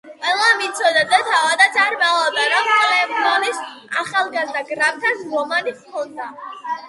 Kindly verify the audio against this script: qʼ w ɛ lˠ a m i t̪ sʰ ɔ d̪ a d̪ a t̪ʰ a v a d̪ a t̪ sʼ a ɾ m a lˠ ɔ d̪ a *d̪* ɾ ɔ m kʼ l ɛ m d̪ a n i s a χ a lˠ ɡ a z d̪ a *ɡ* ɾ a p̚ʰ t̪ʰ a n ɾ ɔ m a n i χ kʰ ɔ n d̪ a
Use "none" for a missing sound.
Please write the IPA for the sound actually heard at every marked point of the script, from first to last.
none, ɡ

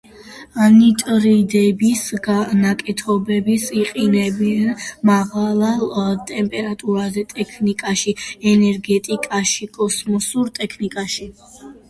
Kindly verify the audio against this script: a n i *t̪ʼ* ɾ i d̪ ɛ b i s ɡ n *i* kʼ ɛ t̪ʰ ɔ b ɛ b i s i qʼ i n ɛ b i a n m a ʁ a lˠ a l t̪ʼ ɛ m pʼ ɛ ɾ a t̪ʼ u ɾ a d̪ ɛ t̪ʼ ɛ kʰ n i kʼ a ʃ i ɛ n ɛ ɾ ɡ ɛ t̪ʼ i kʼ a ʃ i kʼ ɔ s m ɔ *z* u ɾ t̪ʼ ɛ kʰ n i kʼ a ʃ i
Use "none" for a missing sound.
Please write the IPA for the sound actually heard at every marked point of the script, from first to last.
t̪ʼ, a, s

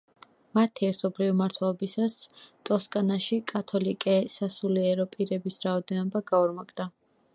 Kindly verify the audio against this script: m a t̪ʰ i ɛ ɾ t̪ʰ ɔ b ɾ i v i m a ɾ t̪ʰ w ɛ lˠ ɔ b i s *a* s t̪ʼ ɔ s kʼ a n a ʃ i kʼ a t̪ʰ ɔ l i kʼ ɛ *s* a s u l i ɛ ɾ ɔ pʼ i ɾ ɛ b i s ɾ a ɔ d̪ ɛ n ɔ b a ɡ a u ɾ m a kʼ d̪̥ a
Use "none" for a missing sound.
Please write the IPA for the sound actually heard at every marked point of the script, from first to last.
a, s

